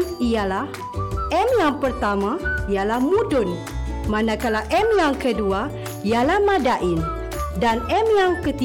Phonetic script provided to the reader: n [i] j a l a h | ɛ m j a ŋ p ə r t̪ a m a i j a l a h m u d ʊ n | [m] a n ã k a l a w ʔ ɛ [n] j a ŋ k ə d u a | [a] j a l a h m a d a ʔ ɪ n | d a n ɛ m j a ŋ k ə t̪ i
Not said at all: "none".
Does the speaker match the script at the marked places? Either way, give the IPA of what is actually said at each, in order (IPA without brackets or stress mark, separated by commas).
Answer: i, m, m, i